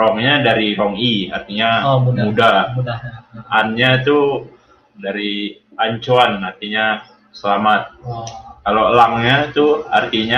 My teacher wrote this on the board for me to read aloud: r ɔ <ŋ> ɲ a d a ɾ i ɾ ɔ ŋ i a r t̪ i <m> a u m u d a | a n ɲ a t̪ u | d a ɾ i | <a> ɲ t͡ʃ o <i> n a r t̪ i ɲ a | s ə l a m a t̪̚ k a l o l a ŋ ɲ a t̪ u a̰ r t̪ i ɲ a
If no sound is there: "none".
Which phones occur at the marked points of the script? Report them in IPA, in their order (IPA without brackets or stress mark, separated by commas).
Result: ŋ, ɲ, a, a